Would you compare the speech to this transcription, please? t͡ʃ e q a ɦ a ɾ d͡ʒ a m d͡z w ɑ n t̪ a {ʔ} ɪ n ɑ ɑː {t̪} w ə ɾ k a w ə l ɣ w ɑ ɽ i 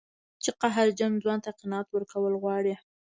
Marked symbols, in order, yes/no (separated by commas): no, yes